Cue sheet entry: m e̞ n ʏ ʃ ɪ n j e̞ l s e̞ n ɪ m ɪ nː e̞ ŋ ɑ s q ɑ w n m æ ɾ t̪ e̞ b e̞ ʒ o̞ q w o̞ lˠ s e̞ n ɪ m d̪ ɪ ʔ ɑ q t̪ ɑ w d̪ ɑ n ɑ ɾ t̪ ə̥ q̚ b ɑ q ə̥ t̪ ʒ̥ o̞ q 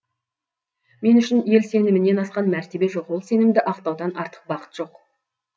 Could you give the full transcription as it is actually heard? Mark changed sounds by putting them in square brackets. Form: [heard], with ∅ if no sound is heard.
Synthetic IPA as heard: m e̞ n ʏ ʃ ɪ n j e̞ l s e̞ n ɪ m ɪ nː e̞ [n] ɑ s q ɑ [∅] n m æ ɾ t̪ e̞ b e̞ ʒ o̞ q w o̞ lˠ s e̞ n ɪ m d̪ ɪ ʔ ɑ q t̪ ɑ w d̪ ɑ n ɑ ɾ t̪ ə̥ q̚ b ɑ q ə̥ t̪ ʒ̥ o̞ q